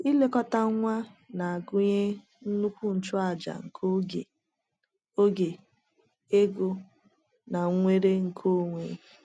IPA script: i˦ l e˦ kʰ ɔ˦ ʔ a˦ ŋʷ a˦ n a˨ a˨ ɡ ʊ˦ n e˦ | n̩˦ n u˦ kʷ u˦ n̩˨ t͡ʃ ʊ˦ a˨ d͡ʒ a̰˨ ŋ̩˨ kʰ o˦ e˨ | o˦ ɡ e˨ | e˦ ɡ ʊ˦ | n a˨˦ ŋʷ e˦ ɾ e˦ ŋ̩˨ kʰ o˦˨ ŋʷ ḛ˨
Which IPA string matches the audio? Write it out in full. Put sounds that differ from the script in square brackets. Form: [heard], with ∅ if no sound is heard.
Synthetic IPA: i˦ l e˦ [k] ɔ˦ [t] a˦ ŋʷ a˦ n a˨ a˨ ɡ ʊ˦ [ɲ] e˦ | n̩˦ n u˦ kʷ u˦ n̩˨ t͡ʃ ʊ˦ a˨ d͡ʒ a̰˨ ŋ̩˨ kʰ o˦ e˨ | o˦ ɡ e˨ | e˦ ɡ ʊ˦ | n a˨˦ ŋʷ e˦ ɾ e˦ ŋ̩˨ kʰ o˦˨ ŋʷ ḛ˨

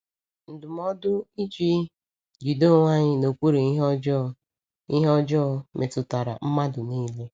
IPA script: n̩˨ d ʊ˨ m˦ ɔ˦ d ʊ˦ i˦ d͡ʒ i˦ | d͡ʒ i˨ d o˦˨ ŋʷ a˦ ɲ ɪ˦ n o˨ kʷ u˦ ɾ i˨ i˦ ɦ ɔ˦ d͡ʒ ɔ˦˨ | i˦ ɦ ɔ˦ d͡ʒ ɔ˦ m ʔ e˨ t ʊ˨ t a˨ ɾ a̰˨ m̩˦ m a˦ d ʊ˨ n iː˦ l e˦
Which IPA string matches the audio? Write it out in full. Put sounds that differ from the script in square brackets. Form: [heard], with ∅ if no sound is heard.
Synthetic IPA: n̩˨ d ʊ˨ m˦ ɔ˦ d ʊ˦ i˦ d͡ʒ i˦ | d͡ʒ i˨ d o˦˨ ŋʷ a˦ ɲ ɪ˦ n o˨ kʷ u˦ ɾ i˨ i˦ ɦ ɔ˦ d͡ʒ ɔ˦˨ | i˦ ɦ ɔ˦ d͡ʒ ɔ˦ m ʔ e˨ t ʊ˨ t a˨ ɾ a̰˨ m̩˦ m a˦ d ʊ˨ n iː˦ l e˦

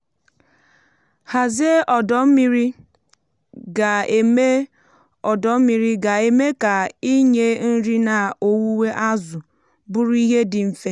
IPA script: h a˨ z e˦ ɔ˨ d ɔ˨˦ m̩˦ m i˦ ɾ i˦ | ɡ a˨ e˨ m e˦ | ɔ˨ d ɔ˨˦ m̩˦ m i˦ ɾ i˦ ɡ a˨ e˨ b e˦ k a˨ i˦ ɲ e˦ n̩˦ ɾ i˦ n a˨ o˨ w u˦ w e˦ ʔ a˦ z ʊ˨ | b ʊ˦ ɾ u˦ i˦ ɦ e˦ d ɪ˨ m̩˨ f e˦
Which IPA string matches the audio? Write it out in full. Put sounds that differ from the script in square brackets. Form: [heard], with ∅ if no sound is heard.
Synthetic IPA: h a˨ z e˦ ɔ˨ d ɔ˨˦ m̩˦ m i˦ ɾ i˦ | ɡ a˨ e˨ m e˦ | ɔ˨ d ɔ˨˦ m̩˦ m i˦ ɾ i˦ ɡ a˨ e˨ [m] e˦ k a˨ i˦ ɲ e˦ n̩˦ ɾ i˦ n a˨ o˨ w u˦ w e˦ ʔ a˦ z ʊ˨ | b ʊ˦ ɾ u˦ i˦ ɦ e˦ d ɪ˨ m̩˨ f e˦

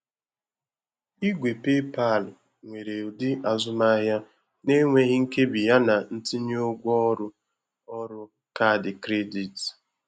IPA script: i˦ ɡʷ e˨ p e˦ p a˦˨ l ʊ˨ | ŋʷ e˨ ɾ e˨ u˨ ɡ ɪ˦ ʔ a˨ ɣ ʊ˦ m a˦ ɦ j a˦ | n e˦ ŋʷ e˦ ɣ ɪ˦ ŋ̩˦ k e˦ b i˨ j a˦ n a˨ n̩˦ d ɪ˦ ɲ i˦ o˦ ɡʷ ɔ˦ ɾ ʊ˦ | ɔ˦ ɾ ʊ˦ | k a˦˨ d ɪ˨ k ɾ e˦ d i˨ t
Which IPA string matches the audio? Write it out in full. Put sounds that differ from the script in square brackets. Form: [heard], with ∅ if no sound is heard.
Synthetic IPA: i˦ ɡʷ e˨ p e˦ p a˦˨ l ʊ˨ | ŋʷ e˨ ɾ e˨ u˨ [d] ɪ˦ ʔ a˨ [z] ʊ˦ m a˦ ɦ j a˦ | n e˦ ŋʷ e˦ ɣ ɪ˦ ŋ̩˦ k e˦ b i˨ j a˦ n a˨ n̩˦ [t] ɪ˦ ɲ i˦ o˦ ɡʷ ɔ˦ ɾ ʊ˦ | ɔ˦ ɾ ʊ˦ | k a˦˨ d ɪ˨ k ɾ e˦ d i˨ t

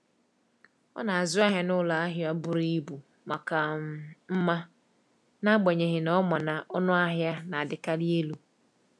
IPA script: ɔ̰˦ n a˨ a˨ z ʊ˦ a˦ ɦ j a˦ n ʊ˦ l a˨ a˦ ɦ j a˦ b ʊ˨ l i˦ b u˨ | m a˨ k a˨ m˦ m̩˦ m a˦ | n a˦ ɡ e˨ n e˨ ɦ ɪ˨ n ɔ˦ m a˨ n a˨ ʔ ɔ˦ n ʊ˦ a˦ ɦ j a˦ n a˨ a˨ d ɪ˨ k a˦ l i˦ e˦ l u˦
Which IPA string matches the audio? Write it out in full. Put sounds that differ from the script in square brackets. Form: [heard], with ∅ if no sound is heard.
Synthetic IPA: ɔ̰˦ n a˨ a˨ z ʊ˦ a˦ ɦ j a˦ n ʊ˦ l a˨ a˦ ɦ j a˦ b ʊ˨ [ɾ] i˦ b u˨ | m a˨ k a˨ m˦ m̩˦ m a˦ | n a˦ [ɡ͡b] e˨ [ɲ] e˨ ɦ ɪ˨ n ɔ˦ m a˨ n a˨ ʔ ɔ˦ n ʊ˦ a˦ ɦ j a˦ n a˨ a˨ d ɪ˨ k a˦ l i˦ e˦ l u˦

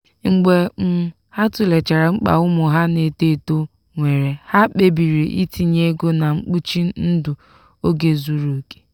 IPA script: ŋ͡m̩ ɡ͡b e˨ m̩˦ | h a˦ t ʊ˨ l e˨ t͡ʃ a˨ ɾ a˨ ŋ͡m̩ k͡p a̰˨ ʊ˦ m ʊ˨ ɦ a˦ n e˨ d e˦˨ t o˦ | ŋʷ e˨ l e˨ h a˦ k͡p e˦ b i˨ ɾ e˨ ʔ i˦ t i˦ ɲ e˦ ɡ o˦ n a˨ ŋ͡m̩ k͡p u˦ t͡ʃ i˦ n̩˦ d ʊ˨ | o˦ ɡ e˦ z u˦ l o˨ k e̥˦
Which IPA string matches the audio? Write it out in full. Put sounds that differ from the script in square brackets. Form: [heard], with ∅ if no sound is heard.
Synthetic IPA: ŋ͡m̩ ɡ͡b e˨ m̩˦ | h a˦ t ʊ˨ l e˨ t͡ʃ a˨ ɾ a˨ ŋ͡m̩ k͡p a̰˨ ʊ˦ m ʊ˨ ɦ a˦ n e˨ [t] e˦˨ t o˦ | ŋʷ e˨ [ɾ] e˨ h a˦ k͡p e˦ b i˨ ɾ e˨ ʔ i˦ t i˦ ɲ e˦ ɡ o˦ n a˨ ŋ͡m̩ k͡p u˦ t͡ʃ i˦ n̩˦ d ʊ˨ | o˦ ɡ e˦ z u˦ [ɾ] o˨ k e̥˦

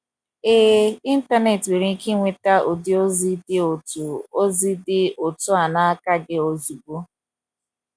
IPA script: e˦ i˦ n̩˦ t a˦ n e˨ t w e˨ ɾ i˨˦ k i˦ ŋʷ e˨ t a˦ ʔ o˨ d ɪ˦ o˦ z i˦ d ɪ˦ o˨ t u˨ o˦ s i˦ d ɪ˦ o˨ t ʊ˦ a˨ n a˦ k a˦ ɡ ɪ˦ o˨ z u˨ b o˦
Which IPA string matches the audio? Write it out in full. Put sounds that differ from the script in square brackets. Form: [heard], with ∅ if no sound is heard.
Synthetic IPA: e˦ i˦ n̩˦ t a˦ n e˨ t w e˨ ɾ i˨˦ k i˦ ŋʷ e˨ t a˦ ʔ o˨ d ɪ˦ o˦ z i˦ d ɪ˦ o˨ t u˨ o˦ [z] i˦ d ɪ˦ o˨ t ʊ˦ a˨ n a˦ k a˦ ɡ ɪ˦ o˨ z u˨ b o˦

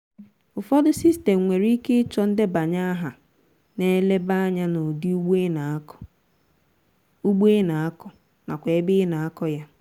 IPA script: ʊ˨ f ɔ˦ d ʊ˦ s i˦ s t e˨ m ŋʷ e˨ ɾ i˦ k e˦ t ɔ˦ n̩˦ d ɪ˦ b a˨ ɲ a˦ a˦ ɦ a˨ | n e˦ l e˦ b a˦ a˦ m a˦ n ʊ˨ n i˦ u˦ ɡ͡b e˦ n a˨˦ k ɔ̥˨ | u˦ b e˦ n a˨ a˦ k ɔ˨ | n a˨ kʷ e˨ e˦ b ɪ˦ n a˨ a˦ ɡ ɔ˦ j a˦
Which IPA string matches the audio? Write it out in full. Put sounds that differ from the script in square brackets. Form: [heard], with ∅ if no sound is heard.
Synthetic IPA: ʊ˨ f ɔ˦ d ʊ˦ s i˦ s t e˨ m ŋʷ e˨ ɾ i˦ k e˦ [t͡ʃ] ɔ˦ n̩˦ d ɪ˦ b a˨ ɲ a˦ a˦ ɦ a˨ | n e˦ l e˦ b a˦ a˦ [ɲ] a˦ n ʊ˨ [d] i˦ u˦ ɡ͡b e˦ n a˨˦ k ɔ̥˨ | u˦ [ɡ͡b] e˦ n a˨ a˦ k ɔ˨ | n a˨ kʷ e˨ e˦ b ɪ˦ n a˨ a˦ [k] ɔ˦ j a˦

